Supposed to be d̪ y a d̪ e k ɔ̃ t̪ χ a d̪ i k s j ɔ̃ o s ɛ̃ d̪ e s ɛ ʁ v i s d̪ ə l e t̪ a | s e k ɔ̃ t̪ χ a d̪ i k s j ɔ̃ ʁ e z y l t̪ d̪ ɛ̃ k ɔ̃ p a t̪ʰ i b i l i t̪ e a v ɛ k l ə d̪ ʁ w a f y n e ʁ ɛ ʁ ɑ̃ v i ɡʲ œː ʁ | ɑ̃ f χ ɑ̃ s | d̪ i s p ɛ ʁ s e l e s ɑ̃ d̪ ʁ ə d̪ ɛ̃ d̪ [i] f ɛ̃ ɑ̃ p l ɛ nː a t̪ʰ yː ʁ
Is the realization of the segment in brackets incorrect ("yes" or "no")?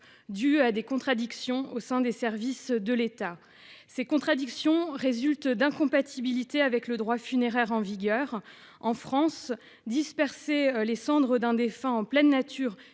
yes